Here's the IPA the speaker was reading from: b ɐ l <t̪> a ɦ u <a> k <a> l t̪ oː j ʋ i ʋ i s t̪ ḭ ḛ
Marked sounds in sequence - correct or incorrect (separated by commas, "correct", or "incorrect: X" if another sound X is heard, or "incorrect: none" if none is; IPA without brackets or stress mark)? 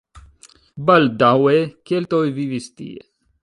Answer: incorrect: d̪, incorrect: e, incorrect: e